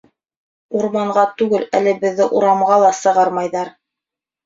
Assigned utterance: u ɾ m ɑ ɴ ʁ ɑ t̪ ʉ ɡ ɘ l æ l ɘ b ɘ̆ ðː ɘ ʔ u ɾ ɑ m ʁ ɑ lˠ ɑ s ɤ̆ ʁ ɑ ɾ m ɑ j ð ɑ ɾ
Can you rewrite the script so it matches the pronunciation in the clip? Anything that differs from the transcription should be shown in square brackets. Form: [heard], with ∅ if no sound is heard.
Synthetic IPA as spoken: u ɾ m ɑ ɴ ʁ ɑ t̪ ʉ ɡ ɘ l æ l ɘ b ɘ̆ ðː ɘ ʔ u ɾ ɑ m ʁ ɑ lˠ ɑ s ɤ̆ ʁ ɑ ɾ m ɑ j ð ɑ ɾ